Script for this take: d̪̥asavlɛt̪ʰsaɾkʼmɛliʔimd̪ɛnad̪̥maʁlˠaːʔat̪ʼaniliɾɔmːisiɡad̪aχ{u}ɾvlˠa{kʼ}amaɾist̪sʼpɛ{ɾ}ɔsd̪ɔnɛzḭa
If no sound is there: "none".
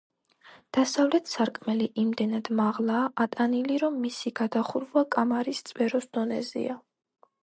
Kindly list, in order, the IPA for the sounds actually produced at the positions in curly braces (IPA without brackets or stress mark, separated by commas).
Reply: u, kʼ, ɾ